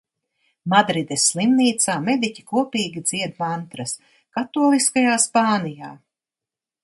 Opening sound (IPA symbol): m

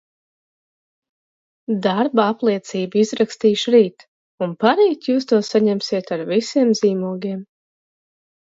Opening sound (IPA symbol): d̪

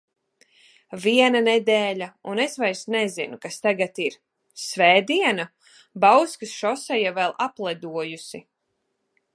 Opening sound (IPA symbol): v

